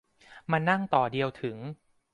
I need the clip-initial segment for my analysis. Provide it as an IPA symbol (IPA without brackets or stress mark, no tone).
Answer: m